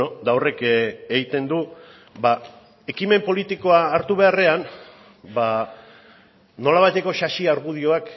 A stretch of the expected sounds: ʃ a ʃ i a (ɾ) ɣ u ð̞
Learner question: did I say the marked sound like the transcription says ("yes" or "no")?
yes